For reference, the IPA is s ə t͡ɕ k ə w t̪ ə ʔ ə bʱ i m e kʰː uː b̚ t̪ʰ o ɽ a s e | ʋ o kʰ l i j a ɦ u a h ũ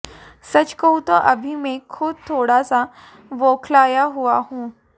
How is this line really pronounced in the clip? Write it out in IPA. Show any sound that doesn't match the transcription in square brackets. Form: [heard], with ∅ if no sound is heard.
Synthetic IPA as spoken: s ə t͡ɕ k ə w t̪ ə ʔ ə bʱ i m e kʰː uː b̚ t̪ʰ o ɽ a s [a] | ʋ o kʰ l [a] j a ɦ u a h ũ